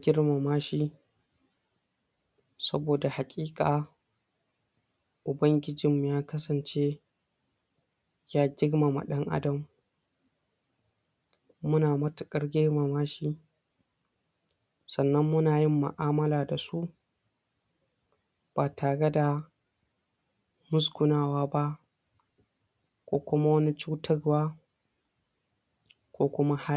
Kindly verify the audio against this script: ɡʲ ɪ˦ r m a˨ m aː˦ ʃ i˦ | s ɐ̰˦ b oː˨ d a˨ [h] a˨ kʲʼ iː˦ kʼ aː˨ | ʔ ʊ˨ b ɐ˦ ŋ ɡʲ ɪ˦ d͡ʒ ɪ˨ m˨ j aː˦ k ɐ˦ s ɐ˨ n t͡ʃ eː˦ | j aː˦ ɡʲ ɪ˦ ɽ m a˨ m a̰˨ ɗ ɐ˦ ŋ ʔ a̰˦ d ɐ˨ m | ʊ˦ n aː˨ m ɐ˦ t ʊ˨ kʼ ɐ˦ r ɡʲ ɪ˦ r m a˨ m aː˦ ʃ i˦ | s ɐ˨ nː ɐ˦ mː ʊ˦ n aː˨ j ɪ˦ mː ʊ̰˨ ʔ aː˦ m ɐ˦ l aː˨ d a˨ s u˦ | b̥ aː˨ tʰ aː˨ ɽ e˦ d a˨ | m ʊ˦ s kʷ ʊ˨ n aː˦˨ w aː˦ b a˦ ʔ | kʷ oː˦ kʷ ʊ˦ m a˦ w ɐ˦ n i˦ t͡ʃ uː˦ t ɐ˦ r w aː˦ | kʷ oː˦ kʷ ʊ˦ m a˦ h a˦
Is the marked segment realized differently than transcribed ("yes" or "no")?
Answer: no